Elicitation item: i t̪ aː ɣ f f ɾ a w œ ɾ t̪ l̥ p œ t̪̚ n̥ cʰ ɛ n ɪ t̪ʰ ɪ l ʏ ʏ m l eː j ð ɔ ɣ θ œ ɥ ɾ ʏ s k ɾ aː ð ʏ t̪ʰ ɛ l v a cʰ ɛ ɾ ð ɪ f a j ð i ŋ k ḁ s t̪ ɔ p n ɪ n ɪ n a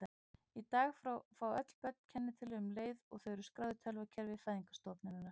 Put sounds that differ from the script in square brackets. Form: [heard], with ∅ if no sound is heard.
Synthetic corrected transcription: i t̪ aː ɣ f f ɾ a w œ [∅] t̪ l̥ p œ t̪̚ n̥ cʰ ɛ [nː] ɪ t̪ʰ ɪ l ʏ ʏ m l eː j ð ɔ ɣ θ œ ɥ ɾ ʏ s k ɾ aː ð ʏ t̪ʰ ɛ l v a cʰ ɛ ɾ [v] ɪ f a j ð i ŋ k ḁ s t̪ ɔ p n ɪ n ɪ n a